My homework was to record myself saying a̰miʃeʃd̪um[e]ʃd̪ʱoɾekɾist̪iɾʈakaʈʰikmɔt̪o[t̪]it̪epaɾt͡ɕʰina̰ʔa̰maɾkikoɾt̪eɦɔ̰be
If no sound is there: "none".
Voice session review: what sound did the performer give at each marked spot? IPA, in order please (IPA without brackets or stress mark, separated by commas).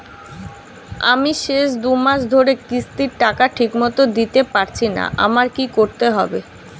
a, d̪